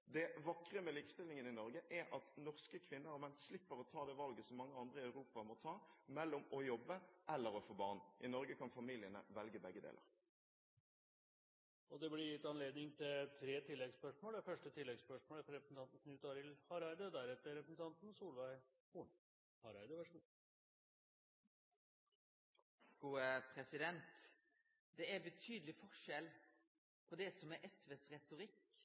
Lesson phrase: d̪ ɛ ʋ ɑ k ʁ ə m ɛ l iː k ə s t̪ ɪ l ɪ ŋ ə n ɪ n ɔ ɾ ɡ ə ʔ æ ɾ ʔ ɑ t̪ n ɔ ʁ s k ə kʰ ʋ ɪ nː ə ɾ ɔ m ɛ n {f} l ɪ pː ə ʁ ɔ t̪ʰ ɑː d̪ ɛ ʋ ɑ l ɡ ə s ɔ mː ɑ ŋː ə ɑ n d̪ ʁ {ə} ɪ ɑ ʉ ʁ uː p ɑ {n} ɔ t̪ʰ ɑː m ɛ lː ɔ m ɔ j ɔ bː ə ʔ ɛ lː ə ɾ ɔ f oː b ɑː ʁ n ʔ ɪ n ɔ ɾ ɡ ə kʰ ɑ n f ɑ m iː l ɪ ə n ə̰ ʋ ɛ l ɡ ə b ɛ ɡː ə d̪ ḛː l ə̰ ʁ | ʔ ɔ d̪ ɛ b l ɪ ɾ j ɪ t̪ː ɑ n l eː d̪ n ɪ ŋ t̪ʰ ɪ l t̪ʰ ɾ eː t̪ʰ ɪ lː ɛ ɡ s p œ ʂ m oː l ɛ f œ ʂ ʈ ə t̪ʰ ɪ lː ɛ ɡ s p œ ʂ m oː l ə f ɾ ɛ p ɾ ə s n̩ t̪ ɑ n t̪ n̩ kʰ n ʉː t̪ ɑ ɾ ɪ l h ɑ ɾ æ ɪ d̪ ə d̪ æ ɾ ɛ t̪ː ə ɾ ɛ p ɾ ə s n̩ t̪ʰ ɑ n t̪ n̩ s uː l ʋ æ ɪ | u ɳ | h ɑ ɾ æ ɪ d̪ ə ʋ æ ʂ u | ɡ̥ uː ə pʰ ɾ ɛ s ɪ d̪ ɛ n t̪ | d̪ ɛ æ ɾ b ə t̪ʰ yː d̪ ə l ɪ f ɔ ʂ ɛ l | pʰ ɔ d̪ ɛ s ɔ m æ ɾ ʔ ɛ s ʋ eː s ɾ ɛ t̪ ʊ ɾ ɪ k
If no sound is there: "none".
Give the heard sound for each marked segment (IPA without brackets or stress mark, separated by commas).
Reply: s, ə, m